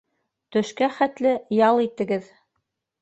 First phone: t̪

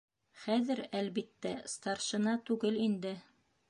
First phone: χ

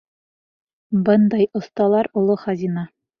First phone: b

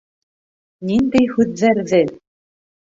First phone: n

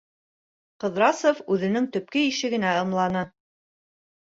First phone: q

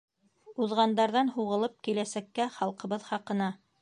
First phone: u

